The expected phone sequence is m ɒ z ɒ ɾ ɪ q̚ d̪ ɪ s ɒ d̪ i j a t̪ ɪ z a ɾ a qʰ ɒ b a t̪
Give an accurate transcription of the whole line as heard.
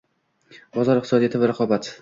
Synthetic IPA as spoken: b ɒ z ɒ ɾ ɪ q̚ t̪ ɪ s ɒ d̪ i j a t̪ ɪ v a ɾ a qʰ ɒ b a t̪